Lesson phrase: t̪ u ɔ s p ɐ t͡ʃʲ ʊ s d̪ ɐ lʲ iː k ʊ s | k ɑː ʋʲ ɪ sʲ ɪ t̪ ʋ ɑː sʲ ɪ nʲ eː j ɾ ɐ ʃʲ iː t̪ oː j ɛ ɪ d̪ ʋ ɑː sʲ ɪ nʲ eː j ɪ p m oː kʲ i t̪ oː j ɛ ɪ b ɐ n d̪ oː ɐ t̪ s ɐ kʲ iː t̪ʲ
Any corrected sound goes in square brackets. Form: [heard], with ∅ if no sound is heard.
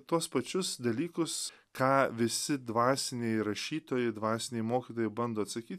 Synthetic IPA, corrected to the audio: t̪ u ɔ s p ɐ t͡ʃʲ ʊ s d̪ ɐ lʲ iː k ʊ s | k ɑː ʋʲ ɪ sʲ ɪ [d̪] ʋ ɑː sʲ ɪ nʲ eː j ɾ ɐ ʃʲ iː t̪ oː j ɛ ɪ d̪ ʋ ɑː sʲ ɪ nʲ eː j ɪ [∅] m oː kʲ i t̪ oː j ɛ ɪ b ɐ n d̪ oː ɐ t̪ s ɐ kʲ iː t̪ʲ